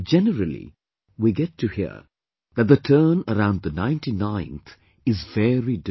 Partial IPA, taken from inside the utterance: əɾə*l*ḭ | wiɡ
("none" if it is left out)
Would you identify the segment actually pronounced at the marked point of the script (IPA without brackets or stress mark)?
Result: l